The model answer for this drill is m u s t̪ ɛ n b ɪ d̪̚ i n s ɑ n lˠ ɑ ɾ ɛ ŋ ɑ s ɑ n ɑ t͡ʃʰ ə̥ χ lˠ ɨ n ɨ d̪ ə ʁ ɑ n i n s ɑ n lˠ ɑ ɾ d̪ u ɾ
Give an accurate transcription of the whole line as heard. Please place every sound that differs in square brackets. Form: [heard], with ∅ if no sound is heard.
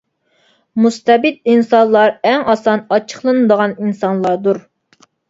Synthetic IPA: m u s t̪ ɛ [∅] b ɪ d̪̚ i n s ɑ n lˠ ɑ ɾ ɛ ŋ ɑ s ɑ n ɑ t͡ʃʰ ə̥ χ lˠ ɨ n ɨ d̪ ə ʁ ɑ n i n s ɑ n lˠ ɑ ɾ d̪ u ɾ